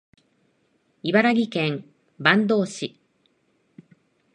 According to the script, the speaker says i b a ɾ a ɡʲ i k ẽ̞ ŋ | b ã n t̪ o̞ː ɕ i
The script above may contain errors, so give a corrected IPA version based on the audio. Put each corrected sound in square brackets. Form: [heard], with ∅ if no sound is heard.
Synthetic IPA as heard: i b a ɾ a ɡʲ i k ẽ̞ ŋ | b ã n [d̪] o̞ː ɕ i